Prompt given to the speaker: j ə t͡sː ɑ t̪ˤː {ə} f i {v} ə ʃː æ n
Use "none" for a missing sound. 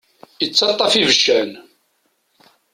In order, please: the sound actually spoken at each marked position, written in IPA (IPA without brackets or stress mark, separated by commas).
ɑ, v